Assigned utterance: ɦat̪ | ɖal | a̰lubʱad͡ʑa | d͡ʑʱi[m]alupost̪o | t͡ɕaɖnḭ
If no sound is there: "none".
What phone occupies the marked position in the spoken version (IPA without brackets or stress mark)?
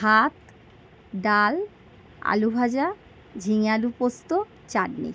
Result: ŋ